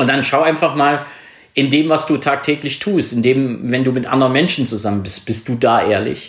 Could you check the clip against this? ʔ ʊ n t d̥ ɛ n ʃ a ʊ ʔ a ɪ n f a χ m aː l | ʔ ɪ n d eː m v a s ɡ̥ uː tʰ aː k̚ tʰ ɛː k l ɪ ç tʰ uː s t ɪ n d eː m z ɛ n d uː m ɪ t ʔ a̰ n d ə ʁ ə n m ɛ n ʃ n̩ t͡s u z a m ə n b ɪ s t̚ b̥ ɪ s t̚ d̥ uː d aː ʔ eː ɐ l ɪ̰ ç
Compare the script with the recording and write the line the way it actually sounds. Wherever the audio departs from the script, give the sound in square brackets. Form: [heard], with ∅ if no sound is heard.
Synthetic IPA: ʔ ʊ n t d̥ [a] n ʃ a ʊ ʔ a ɪ n f a χ m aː l | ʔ ɪ n d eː m v a s [d̥] uː tʰ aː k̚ tʰ ɛː k l ɪ ç tʰ uː s t ɪ n d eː m [v] ɛ n d uː m ɪ t ʔ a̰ n d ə ʁ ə n m ɛ n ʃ n̩ t͡s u z a m ə n b ɪ s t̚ b̥ ɪ s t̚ d̥ uː d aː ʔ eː ɐ l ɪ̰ ç